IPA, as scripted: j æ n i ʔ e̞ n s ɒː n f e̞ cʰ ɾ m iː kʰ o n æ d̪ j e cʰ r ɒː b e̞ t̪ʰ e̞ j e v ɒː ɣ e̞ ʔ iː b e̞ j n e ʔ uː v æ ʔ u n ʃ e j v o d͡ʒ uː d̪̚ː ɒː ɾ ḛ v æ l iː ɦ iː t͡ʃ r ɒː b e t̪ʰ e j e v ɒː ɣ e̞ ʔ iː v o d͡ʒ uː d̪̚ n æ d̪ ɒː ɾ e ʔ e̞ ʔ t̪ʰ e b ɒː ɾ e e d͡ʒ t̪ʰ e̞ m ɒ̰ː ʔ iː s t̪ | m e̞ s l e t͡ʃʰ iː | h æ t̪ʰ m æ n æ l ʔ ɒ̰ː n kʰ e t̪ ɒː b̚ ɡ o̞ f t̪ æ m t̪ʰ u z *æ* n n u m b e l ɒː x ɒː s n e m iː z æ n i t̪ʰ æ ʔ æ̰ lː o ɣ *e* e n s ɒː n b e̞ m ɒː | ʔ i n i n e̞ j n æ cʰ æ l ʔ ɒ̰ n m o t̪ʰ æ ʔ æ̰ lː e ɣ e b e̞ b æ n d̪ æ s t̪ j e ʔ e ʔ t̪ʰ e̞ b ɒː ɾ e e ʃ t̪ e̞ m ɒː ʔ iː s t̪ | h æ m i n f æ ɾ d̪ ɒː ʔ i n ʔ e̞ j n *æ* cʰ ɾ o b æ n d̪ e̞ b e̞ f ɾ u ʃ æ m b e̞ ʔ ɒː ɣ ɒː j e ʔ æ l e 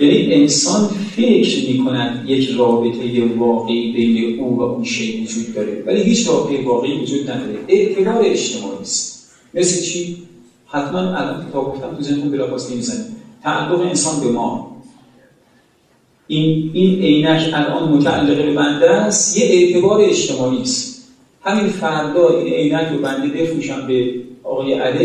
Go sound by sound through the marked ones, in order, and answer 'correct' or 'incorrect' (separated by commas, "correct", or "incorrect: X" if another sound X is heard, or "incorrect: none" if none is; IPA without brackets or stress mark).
incorrect: e, correct, correct